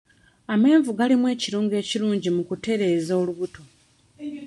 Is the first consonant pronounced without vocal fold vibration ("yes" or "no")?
no